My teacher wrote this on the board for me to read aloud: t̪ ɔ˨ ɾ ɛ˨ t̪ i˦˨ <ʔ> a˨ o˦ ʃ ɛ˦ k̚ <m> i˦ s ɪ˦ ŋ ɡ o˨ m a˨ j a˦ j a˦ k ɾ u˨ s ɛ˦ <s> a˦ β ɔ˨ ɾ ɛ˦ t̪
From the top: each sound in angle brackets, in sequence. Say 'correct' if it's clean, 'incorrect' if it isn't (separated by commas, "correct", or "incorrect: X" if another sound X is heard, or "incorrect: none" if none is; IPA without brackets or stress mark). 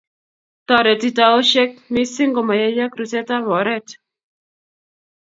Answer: incorrect: t, correct, incorrect: t